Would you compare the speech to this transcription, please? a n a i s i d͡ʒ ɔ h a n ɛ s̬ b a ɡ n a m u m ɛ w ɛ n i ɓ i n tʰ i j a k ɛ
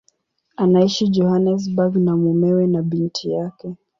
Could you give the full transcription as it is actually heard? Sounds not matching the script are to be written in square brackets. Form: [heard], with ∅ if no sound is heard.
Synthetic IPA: a n a i [ʃ] i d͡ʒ ɔ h a n ɛ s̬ b a ɡ n a m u m ɛ w ɛ n [a] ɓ i n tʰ i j a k ɛ